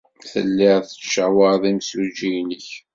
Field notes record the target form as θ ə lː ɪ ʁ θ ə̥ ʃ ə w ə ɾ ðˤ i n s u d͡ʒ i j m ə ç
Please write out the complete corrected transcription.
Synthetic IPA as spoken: θ ə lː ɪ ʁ θ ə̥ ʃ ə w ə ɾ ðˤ i m s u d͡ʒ i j n ə ç

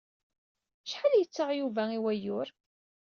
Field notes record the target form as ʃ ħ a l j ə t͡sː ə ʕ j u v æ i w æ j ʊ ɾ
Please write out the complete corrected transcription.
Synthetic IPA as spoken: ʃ ħ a l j ə t͡sː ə ʁ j u v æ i w æ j ʊ ɾ

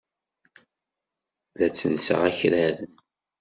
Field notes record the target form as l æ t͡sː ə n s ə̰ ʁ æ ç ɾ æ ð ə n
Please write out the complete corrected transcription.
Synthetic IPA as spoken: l æ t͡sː ə n s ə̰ ʁ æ ç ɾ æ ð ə n

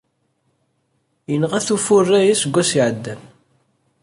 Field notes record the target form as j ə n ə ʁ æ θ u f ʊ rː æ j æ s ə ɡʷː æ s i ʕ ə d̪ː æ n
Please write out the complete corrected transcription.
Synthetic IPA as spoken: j ə n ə ʁ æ θ u f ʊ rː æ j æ s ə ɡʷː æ s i ʕ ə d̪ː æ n

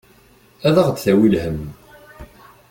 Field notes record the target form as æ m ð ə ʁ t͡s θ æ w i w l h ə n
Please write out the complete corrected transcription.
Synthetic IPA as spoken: æ ð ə ʁ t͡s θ æ w i l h ə m

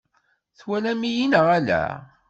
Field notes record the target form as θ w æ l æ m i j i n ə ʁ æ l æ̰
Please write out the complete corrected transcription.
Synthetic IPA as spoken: θ w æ l æ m i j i n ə ʁ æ l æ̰

